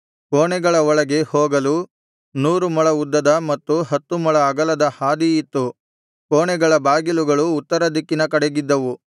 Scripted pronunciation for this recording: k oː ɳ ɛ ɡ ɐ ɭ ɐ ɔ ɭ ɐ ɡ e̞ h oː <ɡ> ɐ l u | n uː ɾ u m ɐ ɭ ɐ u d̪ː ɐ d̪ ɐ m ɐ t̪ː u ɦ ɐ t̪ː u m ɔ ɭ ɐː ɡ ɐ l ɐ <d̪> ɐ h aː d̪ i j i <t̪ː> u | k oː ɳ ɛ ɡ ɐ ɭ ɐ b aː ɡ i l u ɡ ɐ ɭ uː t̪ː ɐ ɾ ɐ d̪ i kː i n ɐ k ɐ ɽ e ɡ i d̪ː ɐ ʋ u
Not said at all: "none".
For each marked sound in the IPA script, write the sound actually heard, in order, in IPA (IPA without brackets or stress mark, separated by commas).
ɡ, d̪, t̪ː